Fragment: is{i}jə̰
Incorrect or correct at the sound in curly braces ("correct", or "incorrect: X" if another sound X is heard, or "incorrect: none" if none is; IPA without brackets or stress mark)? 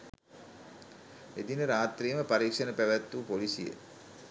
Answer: correct